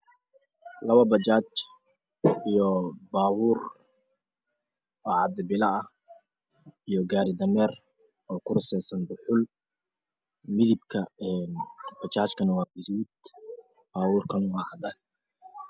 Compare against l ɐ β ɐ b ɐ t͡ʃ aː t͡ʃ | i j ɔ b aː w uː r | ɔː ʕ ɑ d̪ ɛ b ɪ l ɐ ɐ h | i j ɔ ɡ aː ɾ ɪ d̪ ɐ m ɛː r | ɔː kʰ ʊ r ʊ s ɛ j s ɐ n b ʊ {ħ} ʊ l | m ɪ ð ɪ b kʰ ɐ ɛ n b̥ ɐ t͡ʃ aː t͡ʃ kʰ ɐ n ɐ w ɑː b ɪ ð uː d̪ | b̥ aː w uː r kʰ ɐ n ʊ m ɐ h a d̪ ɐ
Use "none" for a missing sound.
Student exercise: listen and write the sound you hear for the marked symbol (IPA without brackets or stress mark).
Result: ħ